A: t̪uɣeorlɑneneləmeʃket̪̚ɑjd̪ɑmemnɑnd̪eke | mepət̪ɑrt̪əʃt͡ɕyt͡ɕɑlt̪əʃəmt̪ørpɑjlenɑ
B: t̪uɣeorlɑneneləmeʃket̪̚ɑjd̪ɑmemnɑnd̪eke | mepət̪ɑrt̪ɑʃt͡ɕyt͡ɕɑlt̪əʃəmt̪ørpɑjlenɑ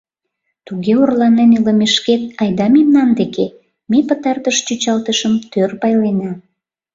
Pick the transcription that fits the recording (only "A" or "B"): A